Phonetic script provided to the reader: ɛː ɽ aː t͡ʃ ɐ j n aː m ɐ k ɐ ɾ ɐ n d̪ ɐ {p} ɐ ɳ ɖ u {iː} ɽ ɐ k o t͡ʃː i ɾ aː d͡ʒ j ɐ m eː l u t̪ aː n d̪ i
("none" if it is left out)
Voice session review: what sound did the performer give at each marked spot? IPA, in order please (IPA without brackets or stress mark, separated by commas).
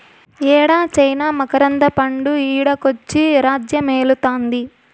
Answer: p, iː